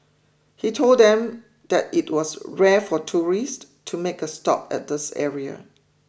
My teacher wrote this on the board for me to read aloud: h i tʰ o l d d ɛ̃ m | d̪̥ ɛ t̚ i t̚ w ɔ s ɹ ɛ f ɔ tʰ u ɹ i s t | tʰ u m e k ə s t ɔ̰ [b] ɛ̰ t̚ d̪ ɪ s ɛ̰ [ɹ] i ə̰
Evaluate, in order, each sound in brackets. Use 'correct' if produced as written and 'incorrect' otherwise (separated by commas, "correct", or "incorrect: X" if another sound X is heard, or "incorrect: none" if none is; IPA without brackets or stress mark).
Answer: incorrect: p, correct